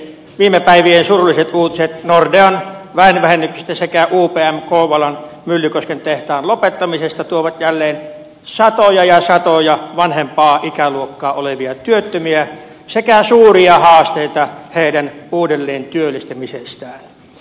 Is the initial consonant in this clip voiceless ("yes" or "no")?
no